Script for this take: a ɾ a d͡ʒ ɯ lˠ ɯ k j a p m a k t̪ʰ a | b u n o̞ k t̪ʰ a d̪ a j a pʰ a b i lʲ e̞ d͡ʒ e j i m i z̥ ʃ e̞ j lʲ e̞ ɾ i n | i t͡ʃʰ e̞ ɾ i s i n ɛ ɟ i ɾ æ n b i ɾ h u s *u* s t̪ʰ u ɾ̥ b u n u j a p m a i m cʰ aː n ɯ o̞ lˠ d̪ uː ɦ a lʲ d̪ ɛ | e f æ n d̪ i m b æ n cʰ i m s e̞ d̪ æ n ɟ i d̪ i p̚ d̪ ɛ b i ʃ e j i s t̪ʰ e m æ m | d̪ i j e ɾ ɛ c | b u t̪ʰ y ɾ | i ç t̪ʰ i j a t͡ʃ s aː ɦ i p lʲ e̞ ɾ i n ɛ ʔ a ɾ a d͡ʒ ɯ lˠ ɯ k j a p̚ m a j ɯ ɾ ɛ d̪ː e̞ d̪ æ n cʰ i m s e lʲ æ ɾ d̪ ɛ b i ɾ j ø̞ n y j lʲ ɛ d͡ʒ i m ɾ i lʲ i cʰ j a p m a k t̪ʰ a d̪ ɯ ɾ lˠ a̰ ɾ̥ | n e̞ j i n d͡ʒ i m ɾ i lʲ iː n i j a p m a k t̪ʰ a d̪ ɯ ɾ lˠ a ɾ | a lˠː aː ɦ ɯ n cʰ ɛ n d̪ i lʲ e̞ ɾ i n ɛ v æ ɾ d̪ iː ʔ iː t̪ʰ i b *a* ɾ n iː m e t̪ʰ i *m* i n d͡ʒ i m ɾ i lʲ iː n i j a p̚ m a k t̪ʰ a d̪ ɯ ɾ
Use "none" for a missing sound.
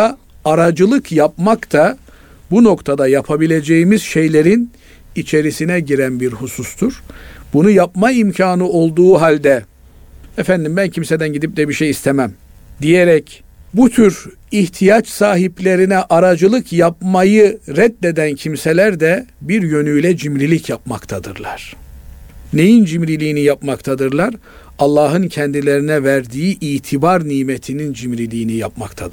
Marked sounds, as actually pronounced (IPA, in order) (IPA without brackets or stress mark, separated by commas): u, a, n